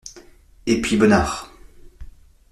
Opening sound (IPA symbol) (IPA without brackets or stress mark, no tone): e